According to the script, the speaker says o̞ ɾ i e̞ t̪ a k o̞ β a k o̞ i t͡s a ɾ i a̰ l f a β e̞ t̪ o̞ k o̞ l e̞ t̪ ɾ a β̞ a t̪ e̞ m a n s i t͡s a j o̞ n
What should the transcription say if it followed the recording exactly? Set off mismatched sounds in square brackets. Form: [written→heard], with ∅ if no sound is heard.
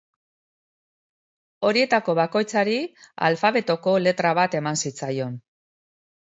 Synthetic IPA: o̞ ɾ i e̞ t̪ a k o̞ β a k o̞ [i→j] t͡s a ɾ i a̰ l f a β e̞ t̪ o̞ k o̞ l e̞ t̪ ɾ a β̞ a t̪ e̞ m a n s i t͡s a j o̞ n